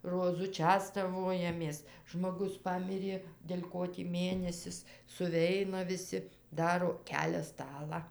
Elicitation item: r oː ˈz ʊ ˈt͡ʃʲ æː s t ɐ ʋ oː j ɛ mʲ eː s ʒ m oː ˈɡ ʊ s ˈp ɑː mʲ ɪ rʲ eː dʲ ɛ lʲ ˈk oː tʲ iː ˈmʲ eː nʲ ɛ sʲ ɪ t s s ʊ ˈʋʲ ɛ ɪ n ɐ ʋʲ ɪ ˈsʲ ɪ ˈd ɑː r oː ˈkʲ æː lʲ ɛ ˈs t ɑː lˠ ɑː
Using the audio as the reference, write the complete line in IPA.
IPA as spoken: r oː ˈz ʊ ˈt͡ʃʲ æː s t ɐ ʋ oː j ɛ mʲ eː s ʒ m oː ˈɡ ʊ s ˈp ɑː mʲ ɪ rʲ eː dʲ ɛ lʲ ˈk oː tʲ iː ˈmʲ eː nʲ ɛ sʲ ɪ s s ʊ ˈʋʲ ɛ ɪ n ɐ ʋʲ ɪ ˈsʲ ɪ ˈd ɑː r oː ˈkʲ æː lʲ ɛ ˈs t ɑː lˠ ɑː